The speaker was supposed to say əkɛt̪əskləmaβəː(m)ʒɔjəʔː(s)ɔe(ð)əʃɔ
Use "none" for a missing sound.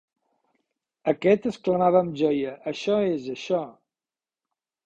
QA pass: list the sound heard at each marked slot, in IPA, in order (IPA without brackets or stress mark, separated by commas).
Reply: m, ʃ, z